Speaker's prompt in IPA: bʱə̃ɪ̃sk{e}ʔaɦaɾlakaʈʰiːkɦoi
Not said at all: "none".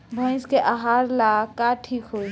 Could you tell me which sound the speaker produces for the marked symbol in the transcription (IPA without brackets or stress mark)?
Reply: e